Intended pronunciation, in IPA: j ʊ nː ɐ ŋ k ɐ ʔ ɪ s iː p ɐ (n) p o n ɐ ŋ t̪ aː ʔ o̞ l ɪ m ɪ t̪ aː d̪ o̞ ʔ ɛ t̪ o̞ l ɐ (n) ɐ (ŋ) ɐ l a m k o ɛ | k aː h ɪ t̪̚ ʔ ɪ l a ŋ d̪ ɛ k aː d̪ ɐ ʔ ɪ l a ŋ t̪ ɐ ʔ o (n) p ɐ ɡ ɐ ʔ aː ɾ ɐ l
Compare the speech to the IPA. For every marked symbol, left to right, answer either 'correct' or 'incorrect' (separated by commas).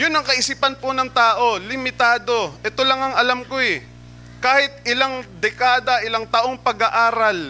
correct, incorrect, correct, incorrect